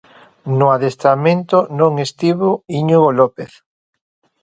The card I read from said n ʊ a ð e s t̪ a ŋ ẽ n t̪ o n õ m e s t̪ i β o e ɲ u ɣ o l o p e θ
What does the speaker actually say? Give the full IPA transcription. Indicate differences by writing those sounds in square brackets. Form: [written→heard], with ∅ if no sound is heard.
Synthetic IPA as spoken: n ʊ a ð e s t̪ a [ŋ→m] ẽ n t̪ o n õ [m→ŋ] e s t̪ i β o [e→i] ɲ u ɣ o l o p e θ